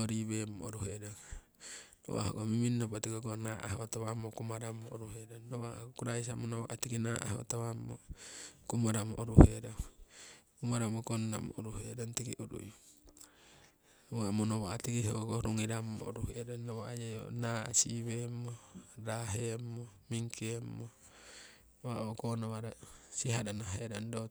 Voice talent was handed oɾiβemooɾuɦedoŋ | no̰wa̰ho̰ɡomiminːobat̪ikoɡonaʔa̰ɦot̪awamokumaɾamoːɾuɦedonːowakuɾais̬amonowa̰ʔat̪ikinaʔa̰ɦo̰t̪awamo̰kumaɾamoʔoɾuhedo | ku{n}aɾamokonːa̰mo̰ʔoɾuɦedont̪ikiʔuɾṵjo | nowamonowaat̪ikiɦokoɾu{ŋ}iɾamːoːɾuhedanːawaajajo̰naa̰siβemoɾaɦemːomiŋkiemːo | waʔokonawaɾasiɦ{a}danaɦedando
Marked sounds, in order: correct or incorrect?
incorrect, correct, correct

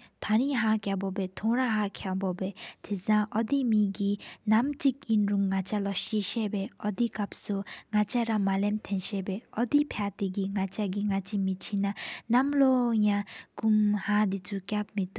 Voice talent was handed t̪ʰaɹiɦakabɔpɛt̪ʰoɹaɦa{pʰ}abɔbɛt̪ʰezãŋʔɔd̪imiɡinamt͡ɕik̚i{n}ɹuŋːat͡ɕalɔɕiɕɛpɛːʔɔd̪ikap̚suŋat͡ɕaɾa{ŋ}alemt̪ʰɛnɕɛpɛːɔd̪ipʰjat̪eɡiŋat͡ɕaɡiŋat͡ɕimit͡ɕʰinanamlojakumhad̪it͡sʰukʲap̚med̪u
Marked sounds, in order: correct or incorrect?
incorrect, correct, incorrect

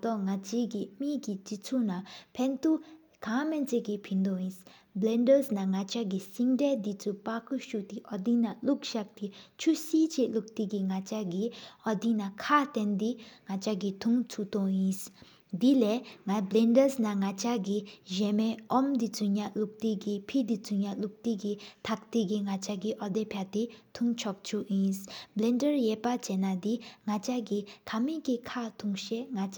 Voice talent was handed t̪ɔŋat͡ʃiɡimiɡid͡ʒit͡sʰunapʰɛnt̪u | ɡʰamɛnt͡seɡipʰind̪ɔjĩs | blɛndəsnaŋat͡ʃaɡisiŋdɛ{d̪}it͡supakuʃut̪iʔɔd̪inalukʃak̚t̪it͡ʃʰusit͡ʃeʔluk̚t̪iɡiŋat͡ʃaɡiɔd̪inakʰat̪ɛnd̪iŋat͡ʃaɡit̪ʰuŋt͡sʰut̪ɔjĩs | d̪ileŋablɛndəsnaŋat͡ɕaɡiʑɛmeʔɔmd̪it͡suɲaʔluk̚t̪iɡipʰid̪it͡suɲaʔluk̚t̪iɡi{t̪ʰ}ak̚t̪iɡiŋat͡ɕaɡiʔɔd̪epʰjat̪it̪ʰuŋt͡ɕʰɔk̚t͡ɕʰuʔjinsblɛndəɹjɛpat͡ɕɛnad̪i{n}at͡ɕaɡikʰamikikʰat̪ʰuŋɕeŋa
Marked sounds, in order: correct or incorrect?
correct, correct, incorrect

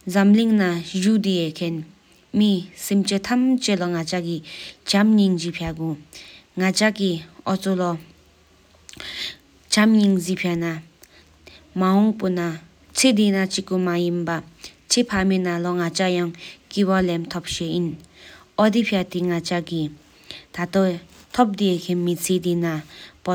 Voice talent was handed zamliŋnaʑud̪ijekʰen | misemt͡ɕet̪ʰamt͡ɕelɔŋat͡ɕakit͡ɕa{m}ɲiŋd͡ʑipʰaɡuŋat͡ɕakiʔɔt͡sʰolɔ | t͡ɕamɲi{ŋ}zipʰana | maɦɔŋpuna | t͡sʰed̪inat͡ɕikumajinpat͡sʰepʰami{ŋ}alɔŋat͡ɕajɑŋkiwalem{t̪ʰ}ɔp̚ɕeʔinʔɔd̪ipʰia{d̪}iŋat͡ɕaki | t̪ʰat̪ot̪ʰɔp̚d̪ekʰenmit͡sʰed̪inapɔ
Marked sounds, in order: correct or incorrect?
correct, correct, incorrect, correct, incorrect

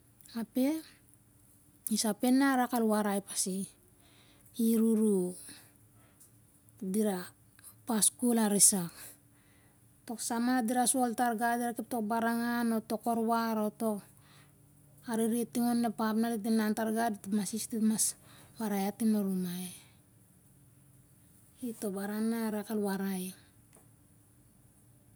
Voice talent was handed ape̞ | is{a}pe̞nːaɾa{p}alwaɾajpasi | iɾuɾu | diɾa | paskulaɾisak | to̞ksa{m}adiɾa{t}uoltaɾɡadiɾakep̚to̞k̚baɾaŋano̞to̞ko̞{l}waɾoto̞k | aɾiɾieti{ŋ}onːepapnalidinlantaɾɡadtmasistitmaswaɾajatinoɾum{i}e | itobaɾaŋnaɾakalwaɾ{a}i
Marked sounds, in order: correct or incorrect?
correct, incorrect, correct, incorrect, incorrect, correct, incorrect, correct

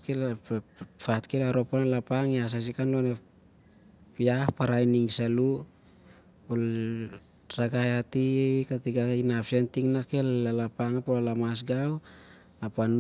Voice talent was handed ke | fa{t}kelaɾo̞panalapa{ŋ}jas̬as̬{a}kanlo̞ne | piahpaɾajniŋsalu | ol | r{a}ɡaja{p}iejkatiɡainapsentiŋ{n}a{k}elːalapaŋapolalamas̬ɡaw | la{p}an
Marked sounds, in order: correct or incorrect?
correct, correct, incorrect, correct, incorrect, correct, correct, correct

